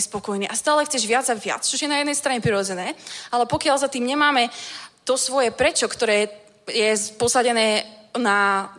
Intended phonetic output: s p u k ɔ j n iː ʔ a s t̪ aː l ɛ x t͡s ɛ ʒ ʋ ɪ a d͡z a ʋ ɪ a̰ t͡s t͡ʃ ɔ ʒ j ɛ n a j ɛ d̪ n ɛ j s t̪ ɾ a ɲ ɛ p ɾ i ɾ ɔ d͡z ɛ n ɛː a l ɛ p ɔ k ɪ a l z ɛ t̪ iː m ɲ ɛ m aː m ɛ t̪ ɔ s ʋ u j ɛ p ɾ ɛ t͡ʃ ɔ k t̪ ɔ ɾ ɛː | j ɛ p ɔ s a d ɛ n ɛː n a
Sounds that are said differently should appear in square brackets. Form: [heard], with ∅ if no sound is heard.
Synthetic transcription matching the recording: s p [ɔ] k ɔ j n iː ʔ a s t̪ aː l ɛ x t͡s ɛ ʒ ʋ ɪ a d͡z a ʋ ɪ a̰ t͡s t͡ʃ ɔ ʒ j ɛ n a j ɛ d̪ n ɛ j s t̪ ɾ a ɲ ɛ p ɾ i ɾ ɔ d͡z ɛ n ɛː a l ɛ p ɔ k ɪ a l z [a] t̪ iː m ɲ ɛ m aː m ɛ t̪ ɔ s ʋ [ɔ] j ɛ p ɾ ɛ t͡ʃ ɔ k t̪ ɔ ɾ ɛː | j ɛ p ɔ s a [ɟ] ɛ n ɛː n a